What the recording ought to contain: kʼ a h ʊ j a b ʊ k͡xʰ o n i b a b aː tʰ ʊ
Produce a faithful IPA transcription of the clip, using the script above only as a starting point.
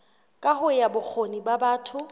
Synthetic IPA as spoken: kʼ a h ʊ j a b ʊ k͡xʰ o n i b a b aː tʰ ʊ